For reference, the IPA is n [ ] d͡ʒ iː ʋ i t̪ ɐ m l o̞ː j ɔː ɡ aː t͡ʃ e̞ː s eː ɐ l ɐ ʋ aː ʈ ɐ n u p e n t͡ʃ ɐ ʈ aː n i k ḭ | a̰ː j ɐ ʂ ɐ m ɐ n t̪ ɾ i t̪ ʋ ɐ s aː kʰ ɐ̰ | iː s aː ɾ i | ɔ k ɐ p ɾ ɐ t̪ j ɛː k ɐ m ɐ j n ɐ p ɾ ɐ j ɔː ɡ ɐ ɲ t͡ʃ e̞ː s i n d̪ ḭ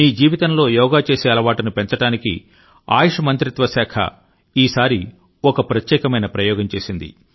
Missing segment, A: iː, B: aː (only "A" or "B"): A